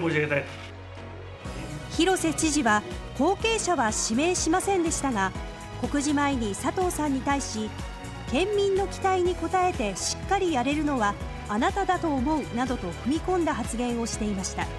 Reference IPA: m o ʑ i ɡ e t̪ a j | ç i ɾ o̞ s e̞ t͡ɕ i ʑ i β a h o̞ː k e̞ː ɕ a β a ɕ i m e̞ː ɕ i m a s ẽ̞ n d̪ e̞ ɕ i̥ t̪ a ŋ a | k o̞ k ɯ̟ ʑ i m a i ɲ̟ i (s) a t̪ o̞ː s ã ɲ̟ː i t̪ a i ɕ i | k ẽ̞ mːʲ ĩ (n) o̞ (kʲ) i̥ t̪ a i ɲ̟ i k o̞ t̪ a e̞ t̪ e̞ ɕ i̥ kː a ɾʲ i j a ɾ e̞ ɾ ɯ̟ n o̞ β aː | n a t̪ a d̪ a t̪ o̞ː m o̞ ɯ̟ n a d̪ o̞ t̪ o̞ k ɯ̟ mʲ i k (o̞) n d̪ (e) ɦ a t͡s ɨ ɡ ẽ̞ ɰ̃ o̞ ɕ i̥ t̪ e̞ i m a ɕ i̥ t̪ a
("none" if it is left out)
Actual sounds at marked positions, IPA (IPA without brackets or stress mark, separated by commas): s, nː, kʲ, õ̞, a